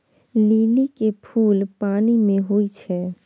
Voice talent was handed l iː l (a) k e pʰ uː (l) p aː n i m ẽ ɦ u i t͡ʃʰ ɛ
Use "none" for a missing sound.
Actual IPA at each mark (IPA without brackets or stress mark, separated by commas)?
i, l